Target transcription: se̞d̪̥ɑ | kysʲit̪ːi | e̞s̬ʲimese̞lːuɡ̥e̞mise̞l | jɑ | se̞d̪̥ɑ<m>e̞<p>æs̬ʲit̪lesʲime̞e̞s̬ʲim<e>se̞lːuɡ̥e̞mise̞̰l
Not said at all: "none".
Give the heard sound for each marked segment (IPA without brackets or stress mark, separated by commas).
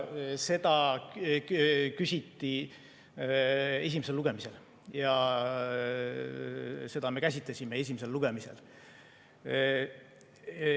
m, k, e